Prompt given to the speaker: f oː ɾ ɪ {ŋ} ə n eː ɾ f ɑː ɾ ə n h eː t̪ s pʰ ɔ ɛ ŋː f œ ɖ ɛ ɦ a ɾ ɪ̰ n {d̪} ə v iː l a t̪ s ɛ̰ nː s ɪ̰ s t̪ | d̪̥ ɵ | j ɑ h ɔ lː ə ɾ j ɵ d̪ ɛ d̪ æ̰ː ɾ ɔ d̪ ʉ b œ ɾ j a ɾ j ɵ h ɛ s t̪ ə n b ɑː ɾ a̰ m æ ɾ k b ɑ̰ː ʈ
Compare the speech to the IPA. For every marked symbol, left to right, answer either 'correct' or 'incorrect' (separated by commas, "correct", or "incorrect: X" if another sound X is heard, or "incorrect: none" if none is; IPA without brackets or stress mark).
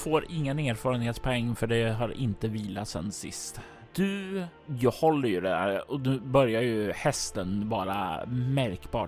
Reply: incorrect: ŋː, incorrect: t̪